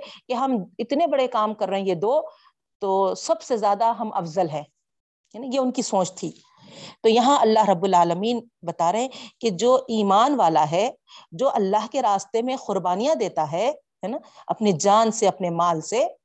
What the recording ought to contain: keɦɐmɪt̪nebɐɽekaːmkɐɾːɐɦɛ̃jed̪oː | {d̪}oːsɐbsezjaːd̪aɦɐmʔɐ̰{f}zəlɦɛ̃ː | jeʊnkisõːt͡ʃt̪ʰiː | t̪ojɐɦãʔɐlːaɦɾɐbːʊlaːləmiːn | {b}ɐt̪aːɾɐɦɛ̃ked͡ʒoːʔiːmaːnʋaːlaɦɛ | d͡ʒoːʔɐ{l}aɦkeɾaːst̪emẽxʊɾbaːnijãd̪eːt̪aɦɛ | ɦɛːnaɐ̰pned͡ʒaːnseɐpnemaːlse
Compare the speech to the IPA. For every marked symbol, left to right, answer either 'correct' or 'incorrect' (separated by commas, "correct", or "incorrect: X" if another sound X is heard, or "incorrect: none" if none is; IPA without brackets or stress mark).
incorrect: t̪, correct, correct, incorrect: lː